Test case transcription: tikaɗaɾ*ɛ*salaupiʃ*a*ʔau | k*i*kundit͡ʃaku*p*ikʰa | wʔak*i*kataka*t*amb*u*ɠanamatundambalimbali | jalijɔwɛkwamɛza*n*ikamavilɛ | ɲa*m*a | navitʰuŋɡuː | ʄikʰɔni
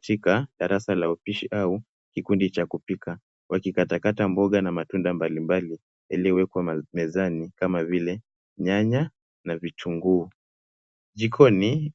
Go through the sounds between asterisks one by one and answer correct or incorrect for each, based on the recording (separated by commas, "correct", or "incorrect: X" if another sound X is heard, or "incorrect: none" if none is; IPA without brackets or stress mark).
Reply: incorrect: a, incorrect: i, correct, correct, correct, correct, incorrect: ɔ, correct, incorrect: ɲ